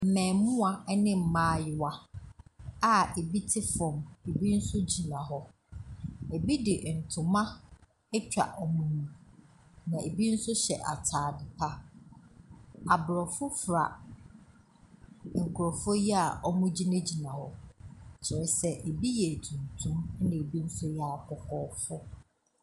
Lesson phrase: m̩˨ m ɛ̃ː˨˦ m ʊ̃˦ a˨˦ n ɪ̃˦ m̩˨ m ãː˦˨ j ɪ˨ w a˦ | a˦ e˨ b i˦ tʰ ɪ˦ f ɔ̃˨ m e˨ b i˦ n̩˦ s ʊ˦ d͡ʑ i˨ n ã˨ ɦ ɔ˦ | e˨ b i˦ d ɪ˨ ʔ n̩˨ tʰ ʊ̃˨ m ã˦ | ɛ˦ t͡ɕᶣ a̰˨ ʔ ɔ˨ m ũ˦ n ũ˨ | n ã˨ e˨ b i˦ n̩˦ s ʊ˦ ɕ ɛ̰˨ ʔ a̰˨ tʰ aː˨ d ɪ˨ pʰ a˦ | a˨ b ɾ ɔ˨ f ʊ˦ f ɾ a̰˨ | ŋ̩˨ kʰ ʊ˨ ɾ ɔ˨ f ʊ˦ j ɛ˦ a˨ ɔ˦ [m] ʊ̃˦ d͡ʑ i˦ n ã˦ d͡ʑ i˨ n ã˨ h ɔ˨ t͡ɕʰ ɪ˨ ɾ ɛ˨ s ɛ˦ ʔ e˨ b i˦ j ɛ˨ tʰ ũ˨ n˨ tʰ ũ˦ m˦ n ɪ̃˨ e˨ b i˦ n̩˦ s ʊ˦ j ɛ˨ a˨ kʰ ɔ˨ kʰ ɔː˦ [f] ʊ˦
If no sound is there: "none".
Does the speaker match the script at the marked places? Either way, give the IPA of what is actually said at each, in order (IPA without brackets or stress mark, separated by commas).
m, f